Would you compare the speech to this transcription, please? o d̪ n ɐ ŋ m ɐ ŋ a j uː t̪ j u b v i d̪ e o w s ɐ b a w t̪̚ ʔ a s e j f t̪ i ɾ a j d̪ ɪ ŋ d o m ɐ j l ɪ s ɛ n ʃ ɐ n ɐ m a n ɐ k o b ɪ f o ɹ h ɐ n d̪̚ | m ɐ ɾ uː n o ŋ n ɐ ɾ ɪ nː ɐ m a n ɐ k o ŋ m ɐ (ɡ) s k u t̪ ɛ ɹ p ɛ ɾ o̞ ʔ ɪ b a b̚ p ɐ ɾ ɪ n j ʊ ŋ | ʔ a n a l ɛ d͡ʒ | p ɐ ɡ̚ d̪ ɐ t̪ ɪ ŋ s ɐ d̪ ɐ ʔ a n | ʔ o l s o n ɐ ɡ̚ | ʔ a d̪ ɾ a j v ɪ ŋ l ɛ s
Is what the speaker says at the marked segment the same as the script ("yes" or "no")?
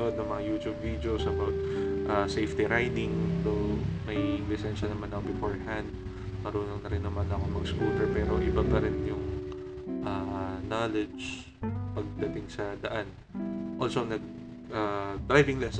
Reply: yes